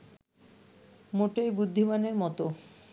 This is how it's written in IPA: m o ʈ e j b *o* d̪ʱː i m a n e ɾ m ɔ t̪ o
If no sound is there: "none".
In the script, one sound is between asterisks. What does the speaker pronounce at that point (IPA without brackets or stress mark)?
u